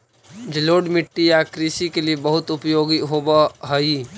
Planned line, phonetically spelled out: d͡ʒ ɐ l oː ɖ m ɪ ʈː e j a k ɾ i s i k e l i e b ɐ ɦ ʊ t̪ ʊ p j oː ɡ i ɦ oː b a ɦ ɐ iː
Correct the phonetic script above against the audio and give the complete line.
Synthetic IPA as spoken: d͡ʒ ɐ l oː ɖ m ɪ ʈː i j a k ɾ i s i k e l i e b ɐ ɦ ʊ t̪ ʊ p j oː ɡ i ɦ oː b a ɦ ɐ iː